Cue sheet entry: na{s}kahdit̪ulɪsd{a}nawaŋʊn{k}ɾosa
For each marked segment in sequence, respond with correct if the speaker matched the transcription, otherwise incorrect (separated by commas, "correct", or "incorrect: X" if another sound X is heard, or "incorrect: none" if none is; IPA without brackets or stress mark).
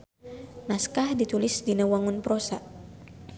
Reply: correct, incorrect: i, incorrect: p